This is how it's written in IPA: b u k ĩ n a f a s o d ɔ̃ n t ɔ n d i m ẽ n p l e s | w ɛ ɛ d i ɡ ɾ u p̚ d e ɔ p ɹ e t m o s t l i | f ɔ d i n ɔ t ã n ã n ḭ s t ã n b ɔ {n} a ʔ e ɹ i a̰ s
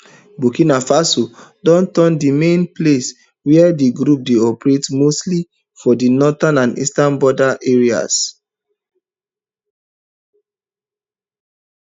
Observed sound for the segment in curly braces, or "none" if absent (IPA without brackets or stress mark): d